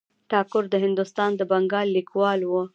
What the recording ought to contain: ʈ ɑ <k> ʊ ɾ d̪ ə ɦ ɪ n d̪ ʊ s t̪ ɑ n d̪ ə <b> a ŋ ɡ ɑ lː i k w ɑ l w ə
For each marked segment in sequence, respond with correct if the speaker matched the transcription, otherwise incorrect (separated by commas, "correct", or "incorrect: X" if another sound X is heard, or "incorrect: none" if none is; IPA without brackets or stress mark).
correct, correct